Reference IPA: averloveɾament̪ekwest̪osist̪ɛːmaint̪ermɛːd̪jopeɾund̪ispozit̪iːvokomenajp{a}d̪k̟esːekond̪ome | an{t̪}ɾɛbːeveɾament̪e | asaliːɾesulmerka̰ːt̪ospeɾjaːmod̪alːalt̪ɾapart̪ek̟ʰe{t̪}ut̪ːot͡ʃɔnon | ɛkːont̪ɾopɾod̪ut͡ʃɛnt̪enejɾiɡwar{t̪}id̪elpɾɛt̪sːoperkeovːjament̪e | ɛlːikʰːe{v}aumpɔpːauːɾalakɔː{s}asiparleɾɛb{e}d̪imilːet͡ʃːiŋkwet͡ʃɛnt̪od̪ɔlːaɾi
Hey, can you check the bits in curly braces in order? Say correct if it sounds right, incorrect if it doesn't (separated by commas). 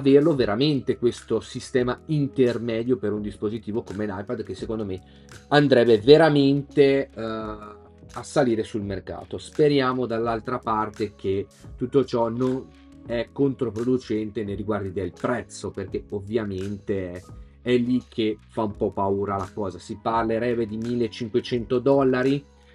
correct, incorrect, correct, incorrect, incorrect, incorrect, correct